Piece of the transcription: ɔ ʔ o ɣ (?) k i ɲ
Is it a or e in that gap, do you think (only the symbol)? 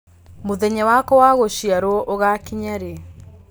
a